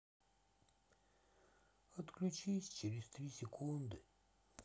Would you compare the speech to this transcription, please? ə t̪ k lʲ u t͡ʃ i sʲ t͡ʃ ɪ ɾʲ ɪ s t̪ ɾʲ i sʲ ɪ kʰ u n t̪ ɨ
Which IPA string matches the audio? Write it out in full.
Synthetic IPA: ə t̪ k lʲ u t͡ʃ i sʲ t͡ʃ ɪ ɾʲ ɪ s t̪ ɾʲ i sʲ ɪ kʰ u n d̪ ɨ